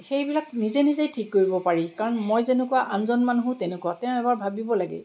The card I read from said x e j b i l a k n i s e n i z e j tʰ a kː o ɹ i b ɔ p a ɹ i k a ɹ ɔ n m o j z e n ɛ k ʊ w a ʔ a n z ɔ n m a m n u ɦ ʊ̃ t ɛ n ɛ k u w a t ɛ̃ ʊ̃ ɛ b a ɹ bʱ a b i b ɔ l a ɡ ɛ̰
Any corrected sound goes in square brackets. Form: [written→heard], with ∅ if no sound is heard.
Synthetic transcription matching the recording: x e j b i l a k n i [s→z] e n i z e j tʰ [a→i] kː o ɹ i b ɔ p a ɹ i k a ɹ ɔ n m o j z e n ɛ k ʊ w a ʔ a n z ɔ n m a [m→∅] n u ɦ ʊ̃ t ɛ n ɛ k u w a t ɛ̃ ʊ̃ ɛ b a ɹ bʱ a b i b ɔ l a ɡ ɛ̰